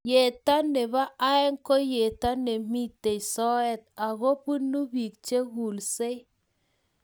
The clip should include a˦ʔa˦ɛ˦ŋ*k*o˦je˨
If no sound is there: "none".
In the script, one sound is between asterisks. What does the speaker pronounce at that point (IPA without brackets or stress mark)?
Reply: k